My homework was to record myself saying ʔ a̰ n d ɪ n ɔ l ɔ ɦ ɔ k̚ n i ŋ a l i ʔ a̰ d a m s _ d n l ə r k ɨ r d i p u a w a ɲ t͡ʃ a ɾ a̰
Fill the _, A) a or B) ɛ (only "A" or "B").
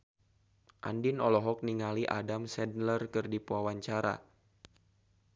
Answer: B